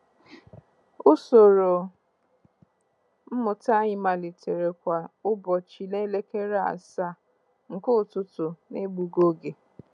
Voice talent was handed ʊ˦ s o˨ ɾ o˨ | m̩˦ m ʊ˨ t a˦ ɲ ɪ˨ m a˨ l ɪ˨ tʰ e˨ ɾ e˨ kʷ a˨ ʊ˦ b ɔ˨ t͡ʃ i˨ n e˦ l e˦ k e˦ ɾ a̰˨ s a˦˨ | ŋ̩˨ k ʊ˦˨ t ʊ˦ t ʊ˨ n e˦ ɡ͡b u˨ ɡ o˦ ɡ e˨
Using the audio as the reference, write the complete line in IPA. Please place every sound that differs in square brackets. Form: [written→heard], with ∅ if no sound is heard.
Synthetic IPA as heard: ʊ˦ s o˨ ɾ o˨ | m̩˦ m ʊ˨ t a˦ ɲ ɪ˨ m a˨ l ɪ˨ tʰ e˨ ɾ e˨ kʷ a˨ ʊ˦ b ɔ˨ t͡ʃ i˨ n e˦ l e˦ k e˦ ɾ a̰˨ s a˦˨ | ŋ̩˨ k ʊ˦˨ t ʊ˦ t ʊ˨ n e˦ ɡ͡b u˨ ɡ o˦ ɡ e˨